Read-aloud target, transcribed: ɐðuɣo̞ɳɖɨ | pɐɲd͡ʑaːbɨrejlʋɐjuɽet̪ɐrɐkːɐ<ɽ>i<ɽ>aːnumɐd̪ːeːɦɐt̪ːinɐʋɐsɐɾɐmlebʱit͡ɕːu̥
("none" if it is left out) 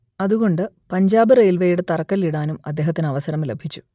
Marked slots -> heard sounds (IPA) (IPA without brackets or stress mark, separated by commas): l, ɽ